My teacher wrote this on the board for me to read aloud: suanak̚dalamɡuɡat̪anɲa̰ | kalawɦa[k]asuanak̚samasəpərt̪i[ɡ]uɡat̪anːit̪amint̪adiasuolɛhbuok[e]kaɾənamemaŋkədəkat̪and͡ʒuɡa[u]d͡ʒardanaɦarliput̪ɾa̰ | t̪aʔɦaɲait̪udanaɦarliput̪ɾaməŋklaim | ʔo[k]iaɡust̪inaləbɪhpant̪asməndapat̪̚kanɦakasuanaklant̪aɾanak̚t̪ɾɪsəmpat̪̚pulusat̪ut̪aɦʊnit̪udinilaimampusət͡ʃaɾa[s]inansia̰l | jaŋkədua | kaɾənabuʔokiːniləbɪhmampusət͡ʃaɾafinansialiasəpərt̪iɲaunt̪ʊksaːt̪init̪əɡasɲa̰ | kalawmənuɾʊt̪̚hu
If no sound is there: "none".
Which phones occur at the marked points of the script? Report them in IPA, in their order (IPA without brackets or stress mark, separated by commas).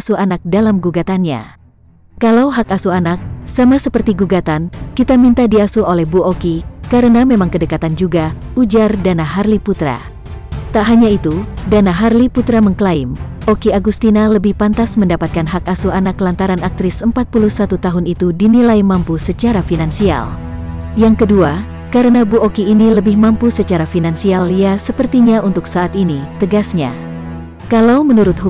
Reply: k, ɡ, i, u, k, f